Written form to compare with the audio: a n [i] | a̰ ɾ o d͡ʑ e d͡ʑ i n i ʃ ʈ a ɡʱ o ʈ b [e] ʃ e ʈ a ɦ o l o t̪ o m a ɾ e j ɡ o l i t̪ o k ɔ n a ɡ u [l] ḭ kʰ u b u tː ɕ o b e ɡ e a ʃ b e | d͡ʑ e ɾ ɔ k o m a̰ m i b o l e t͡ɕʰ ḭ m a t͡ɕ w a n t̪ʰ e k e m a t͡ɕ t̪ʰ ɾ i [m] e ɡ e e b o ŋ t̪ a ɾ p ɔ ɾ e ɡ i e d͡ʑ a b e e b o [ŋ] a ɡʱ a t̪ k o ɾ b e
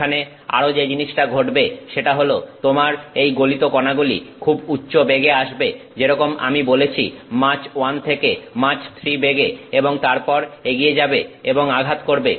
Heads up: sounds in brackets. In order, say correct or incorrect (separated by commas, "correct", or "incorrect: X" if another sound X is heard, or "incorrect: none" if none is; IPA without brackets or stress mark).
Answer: incorrect: e, correct, correct, incorrect: b, correct